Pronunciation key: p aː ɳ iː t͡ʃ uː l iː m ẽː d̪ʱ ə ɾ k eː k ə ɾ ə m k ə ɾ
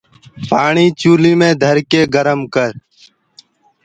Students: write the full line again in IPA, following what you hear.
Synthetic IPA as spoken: p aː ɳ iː t͡ʃ uː l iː m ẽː d̪ʱ ə ɾ k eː ɡ ə ɾ ə m k ə ɾ